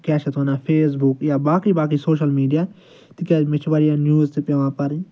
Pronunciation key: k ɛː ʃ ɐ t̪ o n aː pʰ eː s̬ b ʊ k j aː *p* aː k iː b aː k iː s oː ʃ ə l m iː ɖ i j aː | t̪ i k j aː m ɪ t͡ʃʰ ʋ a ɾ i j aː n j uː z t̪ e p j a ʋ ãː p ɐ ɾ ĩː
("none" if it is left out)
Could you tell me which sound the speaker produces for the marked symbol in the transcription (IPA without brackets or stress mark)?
b